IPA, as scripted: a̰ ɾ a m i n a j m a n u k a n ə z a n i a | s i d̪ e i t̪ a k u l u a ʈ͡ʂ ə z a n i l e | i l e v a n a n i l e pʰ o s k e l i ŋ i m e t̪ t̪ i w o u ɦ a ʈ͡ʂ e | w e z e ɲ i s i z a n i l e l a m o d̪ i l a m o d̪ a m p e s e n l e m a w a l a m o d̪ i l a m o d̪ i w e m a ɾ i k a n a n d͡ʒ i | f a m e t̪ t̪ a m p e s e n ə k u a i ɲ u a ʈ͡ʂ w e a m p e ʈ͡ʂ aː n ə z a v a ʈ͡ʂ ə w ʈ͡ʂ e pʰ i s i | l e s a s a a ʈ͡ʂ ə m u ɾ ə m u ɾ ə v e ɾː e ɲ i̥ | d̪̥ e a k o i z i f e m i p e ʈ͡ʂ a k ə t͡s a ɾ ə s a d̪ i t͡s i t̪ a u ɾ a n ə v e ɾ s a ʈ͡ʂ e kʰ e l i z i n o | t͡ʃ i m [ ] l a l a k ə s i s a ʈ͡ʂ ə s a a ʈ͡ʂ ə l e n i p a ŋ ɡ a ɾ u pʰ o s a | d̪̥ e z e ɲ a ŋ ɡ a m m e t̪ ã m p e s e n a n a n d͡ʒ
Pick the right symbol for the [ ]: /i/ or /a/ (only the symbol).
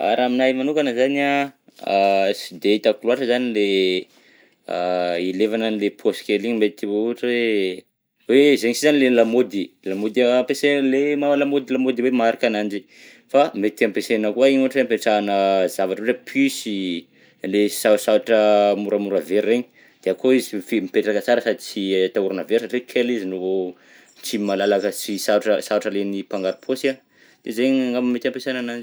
a